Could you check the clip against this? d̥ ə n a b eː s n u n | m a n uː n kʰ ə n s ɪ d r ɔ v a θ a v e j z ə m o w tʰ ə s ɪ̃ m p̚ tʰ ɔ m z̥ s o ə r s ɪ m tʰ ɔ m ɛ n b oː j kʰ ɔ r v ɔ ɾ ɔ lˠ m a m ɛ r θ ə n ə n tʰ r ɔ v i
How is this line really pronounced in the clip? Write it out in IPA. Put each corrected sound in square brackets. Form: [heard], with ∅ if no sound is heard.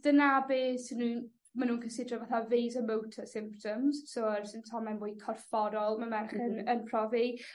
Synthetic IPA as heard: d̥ ə n a b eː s n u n | m a n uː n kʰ ə n s ɪ d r ɔ v a θ a v e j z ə m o w tʰ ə s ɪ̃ m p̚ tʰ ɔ m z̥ s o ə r s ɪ [n] tʰ ɔ m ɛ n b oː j kʰ ɔ r [f] ɔ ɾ ɔ lˠ m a m ɛ r [χ] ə n ə n [pʰ] r ɔ v i

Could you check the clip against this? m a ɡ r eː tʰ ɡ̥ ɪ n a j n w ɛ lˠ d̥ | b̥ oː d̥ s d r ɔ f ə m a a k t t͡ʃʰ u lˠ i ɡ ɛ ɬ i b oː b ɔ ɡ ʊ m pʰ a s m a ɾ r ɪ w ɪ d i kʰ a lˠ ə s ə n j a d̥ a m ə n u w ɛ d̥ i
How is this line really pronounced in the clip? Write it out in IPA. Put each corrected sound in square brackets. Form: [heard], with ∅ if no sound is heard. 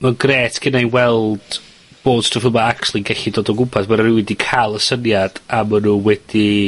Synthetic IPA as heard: m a ɡ r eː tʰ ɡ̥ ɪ n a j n w ɛ lˠ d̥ | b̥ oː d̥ s [t] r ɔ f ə m a a k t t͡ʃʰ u lˠ i ɡ ɛ ɬ i [d] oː [d] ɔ ɡ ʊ m pʰ a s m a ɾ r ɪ w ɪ d i kʰ a lˠ ə s ə n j a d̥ a m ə n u w ɛ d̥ i

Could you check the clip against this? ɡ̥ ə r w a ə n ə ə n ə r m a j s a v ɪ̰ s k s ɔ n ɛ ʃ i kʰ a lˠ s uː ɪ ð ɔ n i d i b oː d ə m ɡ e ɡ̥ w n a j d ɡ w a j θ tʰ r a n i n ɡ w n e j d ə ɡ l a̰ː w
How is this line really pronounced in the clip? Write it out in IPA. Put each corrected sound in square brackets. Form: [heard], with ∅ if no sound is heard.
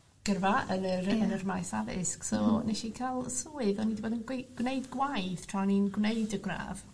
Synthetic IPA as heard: ɡ̥ ə r [v] a ə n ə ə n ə r m a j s a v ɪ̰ s k s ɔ n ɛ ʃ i kʰ a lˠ s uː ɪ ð ɔ n i d i b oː d ə [n] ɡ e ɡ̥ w n [e] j d ɡ w a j θ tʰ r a n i n ɡ w n e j d ə ɡ [r] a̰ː [v]

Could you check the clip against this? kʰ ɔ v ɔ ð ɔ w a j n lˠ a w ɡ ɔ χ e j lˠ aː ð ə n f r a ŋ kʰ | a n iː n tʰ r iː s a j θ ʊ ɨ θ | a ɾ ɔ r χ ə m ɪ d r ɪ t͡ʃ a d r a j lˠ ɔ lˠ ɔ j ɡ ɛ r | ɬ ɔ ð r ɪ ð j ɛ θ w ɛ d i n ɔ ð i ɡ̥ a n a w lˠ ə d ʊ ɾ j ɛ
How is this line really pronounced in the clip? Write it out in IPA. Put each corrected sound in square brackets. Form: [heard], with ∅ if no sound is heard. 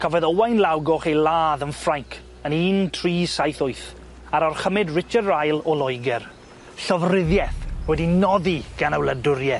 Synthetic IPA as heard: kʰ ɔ v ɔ ð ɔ w a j n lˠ a w ɡ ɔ χ e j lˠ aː ð ə n f r a ŋ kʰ | [ə] n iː n tʰ r iː s a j θ ʊ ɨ θ | a ɾ ɔ r χ ə m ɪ d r ɪ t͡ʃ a d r a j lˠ ɔ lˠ ɔ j ɡ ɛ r | ɬ ɔ [v] r ɪ ð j ɛ θ w ɛ d i n ɔ ð i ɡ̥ a n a w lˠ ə d ʊ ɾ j ɛ

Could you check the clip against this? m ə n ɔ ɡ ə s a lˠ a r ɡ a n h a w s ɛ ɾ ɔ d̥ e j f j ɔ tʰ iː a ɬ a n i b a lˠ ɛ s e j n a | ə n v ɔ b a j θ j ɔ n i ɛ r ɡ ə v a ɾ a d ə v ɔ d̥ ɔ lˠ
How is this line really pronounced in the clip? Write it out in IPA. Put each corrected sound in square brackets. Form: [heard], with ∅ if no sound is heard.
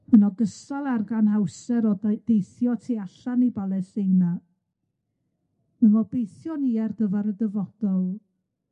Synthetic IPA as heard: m ə n ɔ ɡ ə s a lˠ a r ɡ a n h a w s ɛ ɾ ɔ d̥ e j [θ] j ɔ tʰ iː a ɬ a n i b a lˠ ɛ s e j n a | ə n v ɔ b [e] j θ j ɔ n i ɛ r ɡ ə v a ɾ [ə] d ə v ɔ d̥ ɔ lˠ

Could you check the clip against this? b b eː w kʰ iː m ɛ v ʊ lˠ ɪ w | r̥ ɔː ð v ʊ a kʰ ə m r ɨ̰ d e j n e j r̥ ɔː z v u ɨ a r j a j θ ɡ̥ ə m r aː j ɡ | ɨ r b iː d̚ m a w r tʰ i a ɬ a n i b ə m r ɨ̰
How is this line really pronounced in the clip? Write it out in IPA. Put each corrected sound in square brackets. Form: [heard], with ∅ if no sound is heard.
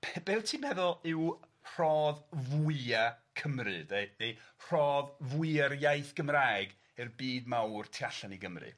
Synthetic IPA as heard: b b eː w [tʰ] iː m ɛ [ð] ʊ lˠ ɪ w | r̥ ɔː ð v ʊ a kʰ ə m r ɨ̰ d e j n e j r̥ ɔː [ð] v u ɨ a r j a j θ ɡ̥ ə m r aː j ɡ | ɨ r b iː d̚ m a w r tʰ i a ɬ a n i [ɡ] ə m r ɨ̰

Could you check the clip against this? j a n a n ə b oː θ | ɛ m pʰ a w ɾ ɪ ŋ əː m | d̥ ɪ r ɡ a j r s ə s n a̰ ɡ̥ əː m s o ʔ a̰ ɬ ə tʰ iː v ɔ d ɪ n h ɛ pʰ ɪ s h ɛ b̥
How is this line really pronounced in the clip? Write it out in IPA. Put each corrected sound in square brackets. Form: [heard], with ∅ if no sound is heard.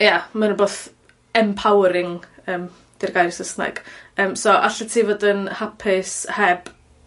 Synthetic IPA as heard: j a [m] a n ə b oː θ | ɛ m pʰ a w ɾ ɪ ŋ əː m | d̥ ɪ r ɡ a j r s ə s n a̰ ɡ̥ əː m s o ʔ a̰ ɬ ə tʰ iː v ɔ d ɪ n h [a] pʰ ɪ s h ɛ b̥

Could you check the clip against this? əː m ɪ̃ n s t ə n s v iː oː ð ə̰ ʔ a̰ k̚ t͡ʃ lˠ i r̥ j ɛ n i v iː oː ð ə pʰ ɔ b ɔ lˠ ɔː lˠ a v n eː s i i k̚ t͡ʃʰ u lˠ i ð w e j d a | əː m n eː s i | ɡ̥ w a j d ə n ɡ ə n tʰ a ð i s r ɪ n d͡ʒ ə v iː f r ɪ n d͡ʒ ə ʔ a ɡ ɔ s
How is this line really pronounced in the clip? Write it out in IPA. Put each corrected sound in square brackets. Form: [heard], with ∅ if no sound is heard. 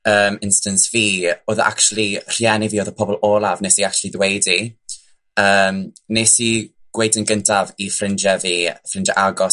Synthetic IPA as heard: əː m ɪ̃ n s t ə n s v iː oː ð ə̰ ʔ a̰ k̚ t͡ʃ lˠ i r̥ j ɛ n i v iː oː ð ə pʰ ɔ b ɔ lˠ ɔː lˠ a v n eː s i [a] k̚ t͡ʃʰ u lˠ i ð w e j d [i] | əː m n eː s i | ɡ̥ w [e] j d ə n ɡ ə n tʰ a [v] i [f] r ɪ n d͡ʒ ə v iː f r ɪ n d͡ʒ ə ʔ a ɡ ɔ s

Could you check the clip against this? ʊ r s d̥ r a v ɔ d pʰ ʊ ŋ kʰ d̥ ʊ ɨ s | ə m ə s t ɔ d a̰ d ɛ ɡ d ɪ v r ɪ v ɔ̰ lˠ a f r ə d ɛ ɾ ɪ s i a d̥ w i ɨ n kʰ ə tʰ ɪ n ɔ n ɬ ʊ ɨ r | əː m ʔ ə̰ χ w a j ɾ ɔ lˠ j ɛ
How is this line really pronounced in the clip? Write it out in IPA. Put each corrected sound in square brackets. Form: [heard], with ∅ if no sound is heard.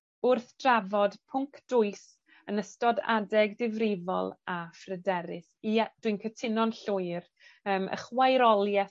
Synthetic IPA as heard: ʊ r [θ] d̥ r a v ɔ d pʰ ʊ ŋ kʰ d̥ ʊ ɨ s | ə [n] ə s t ɔ d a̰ d ɛ ɡ d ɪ v r ɪ v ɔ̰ lˠ a f r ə d ɛ ɾ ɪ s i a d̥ w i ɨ n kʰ ə tʰ ɪ n ɔ n ɬ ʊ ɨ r | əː m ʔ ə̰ χ w a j ɾ ɔ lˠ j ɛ

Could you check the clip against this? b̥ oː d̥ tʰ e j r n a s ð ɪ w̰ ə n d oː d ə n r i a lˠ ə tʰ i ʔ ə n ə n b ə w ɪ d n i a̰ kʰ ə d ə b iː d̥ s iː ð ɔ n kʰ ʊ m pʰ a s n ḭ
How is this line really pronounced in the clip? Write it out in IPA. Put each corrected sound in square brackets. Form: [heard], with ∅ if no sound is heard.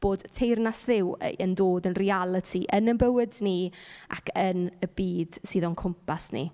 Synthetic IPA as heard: b̥ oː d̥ tʰ e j r n a s ð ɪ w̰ ə n d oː d ə n r i a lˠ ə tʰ i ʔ ə n ə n b ə w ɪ d n i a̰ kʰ ə [n] ə b iː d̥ s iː ð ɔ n kʰ ʊ m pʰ a s n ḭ

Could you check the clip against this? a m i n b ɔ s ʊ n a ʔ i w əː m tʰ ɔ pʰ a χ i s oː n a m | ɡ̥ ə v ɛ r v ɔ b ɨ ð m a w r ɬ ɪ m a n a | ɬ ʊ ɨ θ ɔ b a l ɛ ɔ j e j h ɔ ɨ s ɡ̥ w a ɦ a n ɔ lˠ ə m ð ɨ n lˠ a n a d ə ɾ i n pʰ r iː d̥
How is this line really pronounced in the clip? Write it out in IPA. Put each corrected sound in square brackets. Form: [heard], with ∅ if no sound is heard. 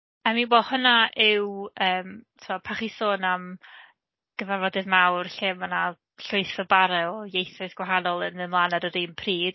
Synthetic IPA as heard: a m i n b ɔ [h] ʊ n a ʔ [ɪ] w əː m tʰ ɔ pʰ a χ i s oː n a m | ɡ̥ ə v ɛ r v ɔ [d] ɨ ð m a w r ɬ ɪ m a n a | ɬ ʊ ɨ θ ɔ b a [ɾ] ɛ ɔ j e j [θ] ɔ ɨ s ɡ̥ w a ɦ a n ɔ lˠ ə [n] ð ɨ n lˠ a n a d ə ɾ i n pʰ r iː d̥

